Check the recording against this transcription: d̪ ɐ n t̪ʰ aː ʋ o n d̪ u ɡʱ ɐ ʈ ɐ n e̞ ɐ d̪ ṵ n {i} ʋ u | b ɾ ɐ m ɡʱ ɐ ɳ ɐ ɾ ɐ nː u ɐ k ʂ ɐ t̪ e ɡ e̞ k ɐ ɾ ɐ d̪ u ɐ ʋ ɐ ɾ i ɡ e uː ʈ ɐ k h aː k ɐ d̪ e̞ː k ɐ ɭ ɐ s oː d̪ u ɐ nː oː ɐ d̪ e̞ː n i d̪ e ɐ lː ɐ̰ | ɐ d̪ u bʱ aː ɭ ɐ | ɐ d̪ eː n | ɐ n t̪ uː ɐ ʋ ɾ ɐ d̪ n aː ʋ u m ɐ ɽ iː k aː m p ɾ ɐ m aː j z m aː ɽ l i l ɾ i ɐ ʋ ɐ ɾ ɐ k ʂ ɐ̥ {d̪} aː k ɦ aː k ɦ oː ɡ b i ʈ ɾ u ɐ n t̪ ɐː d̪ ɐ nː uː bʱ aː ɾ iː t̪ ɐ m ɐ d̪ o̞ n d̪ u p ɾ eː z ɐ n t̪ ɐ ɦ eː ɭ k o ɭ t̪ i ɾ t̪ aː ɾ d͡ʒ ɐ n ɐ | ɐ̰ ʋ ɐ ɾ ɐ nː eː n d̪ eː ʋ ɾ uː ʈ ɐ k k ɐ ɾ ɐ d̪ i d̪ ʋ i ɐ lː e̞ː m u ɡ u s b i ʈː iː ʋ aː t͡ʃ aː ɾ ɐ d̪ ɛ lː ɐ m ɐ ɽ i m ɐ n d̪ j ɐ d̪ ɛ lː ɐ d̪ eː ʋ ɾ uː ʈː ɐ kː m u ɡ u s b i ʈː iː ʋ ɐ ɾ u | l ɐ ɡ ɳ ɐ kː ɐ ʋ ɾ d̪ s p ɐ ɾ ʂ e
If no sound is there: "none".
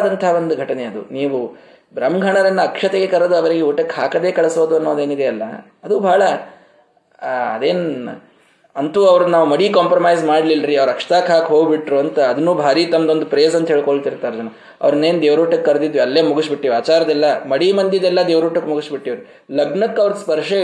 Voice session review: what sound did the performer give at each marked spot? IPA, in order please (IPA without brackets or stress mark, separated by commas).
iː, t̪